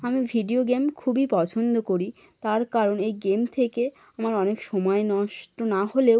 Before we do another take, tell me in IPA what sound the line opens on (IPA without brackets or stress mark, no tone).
a